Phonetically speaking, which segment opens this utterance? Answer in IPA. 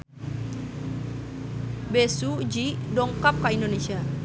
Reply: b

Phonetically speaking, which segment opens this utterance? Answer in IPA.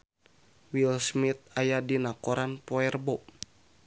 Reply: w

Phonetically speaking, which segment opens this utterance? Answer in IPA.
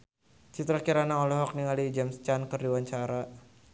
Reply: t͡ʃ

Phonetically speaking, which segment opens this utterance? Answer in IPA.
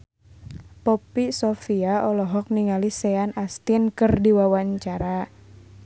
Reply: p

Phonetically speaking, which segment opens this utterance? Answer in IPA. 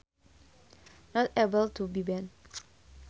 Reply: n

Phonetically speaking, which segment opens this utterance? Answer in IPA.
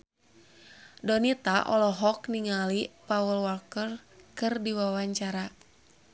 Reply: d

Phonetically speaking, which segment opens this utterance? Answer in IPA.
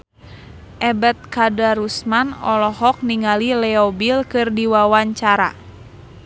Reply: ʔ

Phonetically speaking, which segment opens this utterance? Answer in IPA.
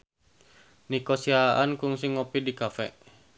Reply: n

